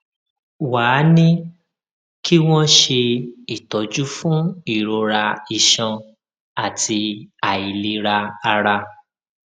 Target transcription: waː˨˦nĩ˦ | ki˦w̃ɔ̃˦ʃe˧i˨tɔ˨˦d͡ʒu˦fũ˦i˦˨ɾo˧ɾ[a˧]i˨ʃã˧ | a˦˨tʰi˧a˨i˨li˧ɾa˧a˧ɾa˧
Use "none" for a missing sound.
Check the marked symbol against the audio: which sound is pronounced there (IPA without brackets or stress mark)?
a˧